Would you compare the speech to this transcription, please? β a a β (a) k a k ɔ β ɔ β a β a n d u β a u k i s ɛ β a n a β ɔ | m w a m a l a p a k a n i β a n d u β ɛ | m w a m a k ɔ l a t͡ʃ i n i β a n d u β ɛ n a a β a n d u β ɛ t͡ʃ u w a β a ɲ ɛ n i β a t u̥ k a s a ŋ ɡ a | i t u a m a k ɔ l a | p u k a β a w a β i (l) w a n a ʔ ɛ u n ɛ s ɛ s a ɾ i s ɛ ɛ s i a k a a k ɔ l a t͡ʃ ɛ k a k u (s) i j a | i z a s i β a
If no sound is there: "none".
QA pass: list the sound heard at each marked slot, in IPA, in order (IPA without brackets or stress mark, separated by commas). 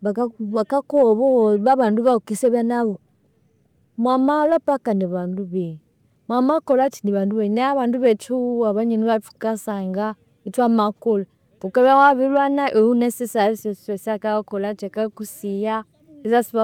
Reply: a, l, s